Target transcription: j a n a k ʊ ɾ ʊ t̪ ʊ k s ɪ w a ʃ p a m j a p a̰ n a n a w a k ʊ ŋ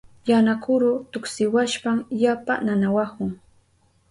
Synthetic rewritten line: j a n a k ʊ ɾ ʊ t̪ ʊ k s ɪ w a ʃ p a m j a p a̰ n a n a w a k ʊ ŋ